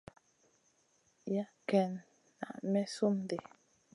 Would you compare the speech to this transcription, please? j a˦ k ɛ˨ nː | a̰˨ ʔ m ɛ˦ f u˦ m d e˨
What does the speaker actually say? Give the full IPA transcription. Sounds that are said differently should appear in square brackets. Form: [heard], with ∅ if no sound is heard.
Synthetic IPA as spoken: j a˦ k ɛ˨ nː | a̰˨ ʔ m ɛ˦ [s] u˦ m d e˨